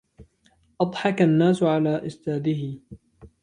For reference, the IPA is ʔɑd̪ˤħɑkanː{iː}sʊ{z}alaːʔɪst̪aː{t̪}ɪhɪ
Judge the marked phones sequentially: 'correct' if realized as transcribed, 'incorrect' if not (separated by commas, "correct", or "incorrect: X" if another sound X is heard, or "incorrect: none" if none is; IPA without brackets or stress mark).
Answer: incorrect: aː, incorrect: ʕ, incorrect: d̪